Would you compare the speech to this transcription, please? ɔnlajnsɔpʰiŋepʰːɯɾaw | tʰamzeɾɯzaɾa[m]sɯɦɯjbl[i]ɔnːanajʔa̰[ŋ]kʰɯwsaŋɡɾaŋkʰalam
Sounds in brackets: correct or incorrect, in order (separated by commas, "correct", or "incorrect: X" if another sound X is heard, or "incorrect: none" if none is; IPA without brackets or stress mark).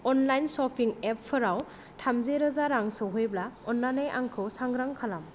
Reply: incorrect: ŋ, incorrect: a, correct